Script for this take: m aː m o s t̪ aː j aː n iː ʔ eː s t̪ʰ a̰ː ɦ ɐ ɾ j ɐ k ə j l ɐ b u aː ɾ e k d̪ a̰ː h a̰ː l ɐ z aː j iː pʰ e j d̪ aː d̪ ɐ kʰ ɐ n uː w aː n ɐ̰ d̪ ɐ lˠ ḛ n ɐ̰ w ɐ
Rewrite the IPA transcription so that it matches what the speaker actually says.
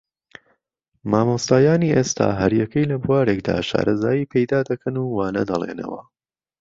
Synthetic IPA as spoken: m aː m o s t̪ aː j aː n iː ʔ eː s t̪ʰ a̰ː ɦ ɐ ɾ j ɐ k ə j l ɐ b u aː ɾ e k d̪ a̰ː ʃ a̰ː ɾ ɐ z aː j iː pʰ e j d̪ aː d̪ ɐ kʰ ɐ n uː w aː n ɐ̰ d̪ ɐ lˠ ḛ n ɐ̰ w ɐ